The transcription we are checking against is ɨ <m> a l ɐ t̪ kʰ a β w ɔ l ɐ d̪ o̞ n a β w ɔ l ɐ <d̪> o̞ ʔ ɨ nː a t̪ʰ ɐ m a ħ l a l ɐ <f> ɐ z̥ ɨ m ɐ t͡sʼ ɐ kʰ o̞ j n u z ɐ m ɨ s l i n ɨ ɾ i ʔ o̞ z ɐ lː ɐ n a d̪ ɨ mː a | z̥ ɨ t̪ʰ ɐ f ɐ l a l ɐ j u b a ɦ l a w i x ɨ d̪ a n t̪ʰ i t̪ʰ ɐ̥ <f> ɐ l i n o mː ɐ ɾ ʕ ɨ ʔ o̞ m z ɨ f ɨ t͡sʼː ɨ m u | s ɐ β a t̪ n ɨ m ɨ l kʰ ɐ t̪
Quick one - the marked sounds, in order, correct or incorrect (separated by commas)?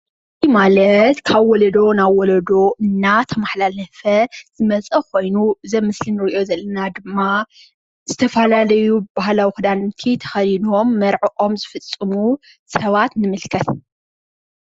correct, correct, correct, incorrect